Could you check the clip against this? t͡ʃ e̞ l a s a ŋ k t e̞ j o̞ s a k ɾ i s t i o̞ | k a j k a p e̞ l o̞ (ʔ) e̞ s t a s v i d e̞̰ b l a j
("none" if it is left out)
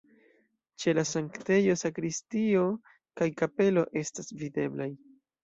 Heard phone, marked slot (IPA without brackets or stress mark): ʔ